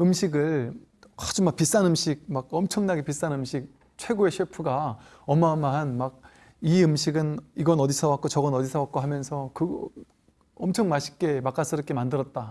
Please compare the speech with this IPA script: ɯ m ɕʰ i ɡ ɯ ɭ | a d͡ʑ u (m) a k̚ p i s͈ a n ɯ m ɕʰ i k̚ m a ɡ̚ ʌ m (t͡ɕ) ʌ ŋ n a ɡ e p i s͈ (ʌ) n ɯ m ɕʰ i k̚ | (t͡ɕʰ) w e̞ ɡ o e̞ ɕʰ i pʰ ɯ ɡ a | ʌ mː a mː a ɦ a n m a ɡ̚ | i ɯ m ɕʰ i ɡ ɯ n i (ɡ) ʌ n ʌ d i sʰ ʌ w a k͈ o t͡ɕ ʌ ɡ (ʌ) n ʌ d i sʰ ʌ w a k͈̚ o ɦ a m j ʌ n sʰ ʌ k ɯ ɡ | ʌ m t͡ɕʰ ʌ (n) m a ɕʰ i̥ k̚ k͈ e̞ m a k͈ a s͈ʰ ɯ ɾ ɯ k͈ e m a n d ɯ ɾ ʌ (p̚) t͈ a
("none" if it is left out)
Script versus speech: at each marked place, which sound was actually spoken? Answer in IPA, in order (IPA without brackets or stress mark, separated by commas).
m, t͡ɕʰ, a, t͡ɕʰ, ɡ, ʌ, ŋ, t̚